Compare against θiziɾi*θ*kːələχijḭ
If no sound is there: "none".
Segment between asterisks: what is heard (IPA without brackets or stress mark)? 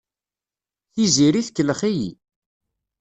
θ